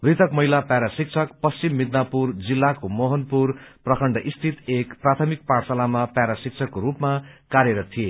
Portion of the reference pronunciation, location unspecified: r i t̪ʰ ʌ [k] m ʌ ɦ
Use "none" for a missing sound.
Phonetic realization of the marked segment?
k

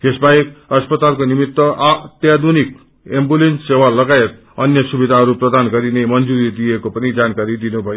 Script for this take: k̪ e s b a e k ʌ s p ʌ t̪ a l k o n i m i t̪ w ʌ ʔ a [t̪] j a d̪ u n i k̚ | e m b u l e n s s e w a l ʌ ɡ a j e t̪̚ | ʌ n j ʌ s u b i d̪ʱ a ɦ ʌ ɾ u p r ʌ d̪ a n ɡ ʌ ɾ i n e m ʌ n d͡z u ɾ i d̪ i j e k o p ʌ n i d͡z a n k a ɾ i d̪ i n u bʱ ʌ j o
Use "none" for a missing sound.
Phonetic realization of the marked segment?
t̪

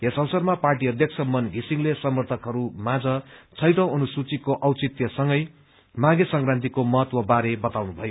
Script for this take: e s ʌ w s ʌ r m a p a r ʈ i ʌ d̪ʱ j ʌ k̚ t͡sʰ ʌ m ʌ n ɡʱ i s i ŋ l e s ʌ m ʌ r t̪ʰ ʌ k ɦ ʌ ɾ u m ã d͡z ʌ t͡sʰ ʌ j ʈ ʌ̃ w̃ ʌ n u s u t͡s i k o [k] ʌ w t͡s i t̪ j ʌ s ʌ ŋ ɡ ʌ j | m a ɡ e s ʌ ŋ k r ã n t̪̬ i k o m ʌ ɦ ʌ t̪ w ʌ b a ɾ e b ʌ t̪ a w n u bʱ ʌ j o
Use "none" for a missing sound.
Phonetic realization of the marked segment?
ʔ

